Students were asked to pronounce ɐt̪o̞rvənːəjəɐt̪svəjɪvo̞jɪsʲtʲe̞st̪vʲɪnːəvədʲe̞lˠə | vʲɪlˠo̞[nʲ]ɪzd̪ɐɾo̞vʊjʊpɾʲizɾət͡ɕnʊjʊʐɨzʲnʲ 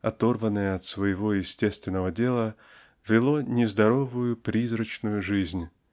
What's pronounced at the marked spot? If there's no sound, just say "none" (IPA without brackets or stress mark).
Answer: nʲ